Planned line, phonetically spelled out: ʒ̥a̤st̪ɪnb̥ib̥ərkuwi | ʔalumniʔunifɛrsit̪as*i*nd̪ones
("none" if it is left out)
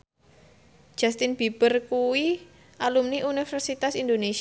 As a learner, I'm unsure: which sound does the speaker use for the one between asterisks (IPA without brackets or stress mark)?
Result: i